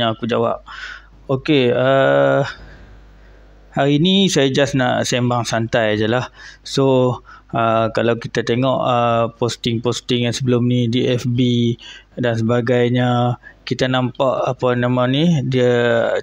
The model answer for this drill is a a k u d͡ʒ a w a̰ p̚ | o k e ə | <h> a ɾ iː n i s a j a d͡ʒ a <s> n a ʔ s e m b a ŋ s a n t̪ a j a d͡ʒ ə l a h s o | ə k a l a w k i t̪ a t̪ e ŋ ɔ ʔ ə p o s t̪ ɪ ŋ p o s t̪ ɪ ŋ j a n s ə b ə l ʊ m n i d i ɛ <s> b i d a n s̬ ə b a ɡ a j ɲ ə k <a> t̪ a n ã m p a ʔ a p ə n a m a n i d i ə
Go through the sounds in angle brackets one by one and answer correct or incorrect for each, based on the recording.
correct, correct, incorrect: f, incorrect: i

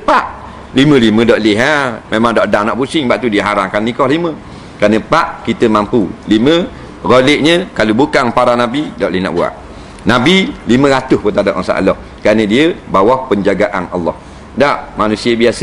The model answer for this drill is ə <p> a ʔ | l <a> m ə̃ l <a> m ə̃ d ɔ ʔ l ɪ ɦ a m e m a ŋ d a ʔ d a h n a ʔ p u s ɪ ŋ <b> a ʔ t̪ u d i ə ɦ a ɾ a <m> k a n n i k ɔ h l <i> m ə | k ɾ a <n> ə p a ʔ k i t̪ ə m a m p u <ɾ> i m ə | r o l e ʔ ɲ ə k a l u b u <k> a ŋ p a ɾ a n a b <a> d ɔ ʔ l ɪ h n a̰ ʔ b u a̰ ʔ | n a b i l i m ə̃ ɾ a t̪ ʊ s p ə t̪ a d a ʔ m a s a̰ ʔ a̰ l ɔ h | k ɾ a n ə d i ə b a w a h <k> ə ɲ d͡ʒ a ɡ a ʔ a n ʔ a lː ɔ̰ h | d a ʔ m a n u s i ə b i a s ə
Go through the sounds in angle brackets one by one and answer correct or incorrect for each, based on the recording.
correct, incorrect: i, incorrect: i, correct, incorrect: ŋ, correct, correct, incorrect: l, correct, incorrect: i, incorrect: p

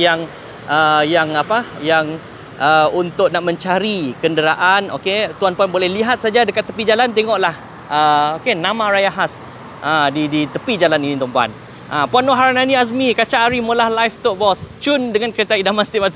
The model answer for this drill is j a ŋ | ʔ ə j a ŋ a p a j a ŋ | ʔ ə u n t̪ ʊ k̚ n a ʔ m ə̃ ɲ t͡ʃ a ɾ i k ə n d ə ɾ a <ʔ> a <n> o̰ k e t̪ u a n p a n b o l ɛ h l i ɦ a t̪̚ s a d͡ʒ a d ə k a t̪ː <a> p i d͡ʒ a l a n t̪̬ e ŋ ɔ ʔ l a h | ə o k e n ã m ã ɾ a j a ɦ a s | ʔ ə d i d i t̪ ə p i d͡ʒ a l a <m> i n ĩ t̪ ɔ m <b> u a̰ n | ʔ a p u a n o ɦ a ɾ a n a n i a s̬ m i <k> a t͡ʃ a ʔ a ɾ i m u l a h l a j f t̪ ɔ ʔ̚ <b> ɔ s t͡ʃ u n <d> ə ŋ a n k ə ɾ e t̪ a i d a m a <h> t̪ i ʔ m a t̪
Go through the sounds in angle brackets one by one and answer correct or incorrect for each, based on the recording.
correct, correct, incorrect: ə, incorrect: n, incorrect: p, correct, correct, correct, incorrect: s

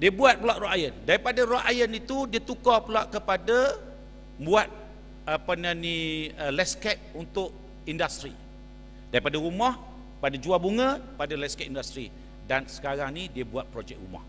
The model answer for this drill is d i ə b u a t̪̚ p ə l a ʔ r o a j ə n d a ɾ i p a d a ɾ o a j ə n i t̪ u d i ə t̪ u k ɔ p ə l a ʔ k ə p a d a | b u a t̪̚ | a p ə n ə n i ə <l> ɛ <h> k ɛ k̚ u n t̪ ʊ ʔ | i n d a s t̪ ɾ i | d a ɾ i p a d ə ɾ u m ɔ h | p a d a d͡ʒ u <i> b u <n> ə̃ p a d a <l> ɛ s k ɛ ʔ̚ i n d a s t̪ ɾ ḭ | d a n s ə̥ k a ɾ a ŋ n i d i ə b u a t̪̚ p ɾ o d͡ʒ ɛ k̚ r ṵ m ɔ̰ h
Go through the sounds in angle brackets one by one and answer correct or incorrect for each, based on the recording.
correct, incorrect: s, incorrect: a, incorrect: ŋ, correct

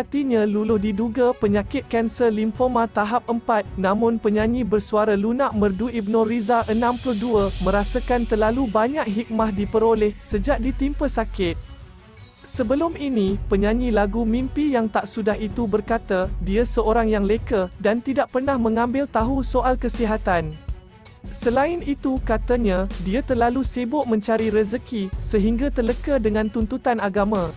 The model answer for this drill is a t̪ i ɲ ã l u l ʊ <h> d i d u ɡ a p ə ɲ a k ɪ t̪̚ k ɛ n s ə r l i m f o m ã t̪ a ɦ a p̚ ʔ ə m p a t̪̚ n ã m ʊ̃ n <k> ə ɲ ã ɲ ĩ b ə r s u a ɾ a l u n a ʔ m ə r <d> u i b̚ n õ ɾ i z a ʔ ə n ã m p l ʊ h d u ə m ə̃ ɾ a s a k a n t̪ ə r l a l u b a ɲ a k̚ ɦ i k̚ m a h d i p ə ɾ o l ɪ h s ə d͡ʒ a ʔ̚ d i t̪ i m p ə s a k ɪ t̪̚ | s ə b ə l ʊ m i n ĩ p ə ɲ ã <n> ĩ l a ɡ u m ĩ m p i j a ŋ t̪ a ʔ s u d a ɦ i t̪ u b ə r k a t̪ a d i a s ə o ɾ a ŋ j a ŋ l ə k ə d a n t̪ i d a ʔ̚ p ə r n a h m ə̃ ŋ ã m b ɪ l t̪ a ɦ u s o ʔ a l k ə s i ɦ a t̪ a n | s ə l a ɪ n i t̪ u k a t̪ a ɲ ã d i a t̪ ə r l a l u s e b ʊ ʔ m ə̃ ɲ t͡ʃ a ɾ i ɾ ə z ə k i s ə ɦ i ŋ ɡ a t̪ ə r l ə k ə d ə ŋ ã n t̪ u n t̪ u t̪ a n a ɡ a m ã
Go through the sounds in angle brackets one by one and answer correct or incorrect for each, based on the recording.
correct, incorrect: p, correct, incorrect: ɲ

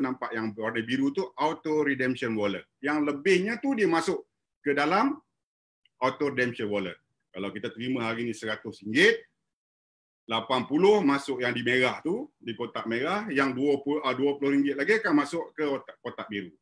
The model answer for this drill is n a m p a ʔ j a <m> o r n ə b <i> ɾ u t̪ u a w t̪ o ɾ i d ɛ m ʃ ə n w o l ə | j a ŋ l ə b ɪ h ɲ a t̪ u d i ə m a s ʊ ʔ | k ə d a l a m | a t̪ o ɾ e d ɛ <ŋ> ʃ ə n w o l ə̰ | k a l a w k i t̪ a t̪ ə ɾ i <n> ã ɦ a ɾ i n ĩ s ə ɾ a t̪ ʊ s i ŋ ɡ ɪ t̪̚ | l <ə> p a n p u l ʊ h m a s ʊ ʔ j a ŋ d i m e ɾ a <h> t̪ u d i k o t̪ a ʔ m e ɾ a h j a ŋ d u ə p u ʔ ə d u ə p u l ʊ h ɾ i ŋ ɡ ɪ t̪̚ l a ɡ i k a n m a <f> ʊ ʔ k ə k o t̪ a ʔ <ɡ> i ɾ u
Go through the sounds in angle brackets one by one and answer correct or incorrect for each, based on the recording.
incorrect: ŋ, correct, incorrect: m, incorrect: m, incorrect: a, correct, incorrect: s, incorrect: b

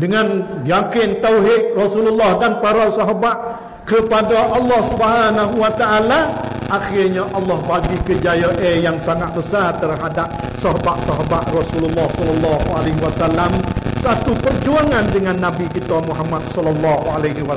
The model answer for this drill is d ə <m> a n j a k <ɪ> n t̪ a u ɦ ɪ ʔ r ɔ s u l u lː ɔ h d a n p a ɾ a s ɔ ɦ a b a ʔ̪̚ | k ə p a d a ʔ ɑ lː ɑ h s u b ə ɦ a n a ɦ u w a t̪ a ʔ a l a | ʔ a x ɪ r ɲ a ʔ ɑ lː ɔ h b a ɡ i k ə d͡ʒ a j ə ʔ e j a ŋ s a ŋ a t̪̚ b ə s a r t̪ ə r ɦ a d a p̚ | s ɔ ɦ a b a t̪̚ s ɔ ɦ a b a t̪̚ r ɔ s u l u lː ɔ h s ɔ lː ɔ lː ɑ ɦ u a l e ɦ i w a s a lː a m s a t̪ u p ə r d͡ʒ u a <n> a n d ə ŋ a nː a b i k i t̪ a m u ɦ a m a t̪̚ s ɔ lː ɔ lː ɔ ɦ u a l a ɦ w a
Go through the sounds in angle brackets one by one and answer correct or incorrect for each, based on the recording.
incorrect: ŋ, correct, incorrect: ŋ

